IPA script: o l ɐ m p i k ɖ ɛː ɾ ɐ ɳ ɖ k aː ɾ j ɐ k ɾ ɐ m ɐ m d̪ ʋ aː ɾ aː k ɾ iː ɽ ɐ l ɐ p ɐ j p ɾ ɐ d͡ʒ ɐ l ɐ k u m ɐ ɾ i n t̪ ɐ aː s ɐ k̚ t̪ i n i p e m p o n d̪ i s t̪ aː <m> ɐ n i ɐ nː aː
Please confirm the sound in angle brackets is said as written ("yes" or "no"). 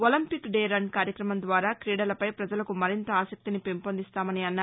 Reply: yes